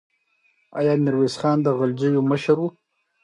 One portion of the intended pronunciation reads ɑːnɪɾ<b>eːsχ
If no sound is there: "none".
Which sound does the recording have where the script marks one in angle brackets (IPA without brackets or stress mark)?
w